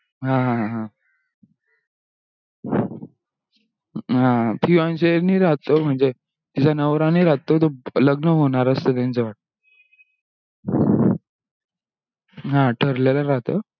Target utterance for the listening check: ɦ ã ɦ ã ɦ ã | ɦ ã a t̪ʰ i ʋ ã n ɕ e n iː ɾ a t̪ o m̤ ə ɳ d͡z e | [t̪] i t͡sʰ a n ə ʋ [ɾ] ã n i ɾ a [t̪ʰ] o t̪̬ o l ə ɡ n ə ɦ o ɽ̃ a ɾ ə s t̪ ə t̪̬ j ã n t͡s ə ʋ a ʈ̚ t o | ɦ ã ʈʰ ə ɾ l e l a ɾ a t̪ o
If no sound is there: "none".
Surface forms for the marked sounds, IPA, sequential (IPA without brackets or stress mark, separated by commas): t̪, ɾ, t̪